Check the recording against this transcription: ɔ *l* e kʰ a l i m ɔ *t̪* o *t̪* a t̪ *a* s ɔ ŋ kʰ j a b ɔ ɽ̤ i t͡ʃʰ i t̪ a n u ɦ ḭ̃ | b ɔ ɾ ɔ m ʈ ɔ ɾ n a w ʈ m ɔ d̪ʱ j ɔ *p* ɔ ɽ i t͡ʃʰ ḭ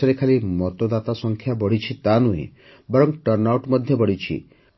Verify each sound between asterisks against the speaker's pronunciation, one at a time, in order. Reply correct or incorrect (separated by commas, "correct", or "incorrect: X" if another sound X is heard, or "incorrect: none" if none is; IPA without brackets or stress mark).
incorrect: ɾ, correct, incorrect: d̪, correct, incorrect: b